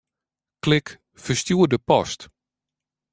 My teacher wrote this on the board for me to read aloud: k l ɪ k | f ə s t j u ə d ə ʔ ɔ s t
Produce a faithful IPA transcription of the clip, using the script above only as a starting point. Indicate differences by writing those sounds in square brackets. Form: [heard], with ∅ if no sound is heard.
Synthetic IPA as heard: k l ɪ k | f ə s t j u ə d ə [p] ɔ s t